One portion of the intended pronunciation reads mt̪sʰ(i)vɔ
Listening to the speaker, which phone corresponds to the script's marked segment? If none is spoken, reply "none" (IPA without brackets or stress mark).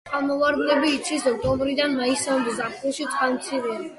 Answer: i